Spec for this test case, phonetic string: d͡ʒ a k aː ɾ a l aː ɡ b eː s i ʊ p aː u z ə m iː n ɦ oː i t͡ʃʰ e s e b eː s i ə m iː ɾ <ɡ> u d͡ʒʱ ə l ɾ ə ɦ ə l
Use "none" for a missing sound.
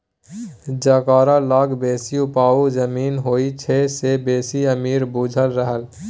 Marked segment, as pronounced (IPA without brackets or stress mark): b